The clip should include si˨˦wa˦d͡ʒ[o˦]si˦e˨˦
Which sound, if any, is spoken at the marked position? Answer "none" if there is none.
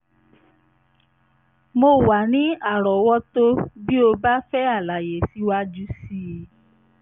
u˦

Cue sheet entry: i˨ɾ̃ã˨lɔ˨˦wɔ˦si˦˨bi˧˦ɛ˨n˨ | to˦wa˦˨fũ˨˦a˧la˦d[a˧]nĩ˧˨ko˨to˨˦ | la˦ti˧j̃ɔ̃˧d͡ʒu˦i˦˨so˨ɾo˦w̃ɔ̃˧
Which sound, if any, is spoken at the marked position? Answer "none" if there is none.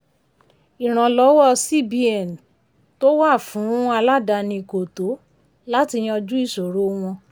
a˧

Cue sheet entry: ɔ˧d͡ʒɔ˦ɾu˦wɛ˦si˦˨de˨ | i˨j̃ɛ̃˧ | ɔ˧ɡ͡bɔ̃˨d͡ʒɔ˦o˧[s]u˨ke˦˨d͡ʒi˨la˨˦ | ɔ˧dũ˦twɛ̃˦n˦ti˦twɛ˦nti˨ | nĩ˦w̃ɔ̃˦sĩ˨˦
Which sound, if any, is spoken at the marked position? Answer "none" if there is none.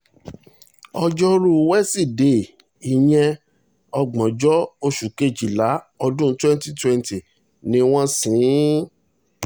ʃ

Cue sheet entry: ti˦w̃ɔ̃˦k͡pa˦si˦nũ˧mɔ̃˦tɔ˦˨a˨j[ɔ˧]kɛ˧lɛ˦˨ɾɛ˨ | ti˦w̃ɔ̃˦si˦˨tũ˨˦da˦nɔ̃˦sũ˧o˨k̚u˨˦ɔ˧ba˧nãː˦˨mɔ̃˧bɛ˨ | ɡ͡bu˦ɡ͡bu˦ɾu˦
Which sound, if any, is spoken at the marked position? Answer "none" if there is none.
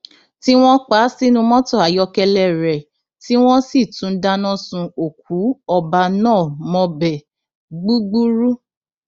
ɔ˧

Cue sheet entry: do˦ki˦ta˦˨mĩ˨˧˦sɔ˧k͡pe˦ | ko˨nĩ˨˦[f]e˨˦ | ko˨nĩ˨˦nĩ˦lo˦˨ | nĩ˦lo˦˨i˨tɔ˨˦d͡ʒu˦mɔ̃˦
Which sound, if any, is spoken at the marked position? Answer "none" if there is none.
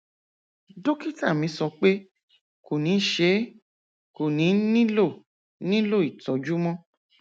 ʃ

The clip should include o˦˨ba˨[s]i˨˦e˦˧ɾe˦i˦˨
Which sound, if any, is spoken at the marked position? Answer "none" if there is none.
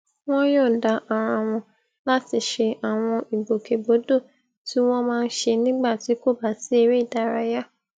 s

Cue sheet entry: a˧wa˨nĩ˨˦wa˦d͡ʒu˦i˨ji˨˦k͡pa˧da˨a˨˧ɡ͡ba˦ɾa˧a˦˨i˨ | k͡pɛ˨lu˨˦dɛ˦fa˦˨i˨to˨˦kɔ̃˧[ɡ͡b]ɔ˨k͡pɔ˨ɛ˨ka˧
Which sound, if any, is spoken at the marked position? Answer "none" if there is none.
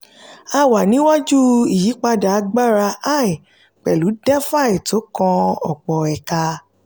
none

